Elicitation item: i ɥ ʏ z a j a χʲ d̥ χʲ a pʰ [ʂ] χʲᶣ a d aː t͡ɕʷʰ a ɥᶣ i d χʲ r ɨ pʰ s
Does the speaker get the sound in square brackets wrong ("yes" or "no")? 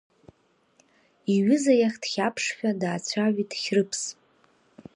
no